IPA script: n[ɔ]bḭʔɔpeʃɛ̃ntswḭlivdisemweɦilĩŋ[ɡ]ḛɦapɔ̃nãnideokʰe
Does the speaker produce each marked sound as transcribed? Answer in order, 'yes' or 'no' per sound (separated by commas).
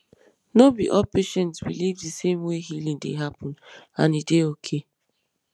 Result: no, no